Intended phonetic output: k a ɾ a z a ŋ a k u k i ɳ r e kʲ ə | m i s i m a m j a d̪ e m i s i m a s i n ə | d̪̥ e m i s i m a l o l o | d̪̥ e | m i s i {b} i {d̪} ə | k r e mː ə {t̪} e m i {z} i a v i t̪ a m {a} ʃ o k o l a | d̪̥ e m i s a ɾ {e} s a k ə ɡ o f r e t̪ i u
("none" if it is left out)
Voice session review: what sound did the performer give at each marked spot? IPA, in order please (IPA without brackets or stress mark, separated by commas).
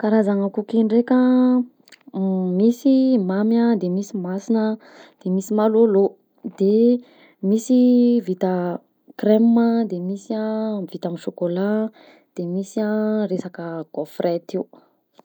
v, t̪, d̪, s, i, e